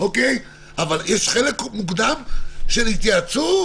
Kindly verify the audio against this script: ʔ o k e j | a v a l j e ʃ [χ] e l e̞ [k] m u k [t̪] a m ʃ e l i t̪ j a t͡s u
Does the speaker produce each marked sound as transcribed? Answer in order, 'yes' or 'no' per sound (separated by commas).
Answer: yes, yes, no